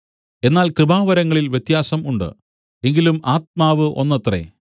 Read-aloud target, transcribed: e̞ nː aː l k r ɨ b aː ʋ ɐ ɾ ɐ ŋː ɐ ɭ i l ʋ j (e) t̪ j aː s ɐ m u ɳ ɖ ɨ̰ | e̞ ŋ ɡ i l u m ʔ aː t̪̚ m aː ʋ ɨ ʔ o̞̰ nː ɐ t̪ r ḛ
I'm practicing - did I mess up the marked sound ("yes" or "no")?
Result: no